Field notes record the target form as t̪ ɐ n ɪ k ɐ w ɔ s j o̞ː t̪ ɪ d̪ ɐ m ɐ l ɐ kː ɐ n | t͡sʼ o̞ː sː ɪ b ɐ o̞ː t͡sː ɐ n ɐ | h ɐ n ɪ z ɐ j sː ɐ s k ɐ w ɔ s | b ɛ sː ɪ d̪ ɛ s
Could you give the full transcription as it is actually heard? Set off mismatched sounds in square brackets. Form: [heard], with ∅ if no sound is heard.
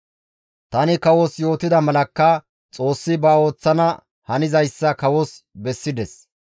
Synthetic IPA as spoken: t̪ ɐ n ɪ k ɐ w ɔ s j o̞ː t̪ ɪ d̪ ɐ m ɐ l ɐ kː ɐ [∅] | t͡sʼ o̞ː sː ɪ b ɐ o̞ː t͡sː ɐ n ɐ | h ɐ n ɪ z ɐ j sː ɐ [∅] k ɐ w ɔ s | b ɛ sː ɪ d̪ ɛ s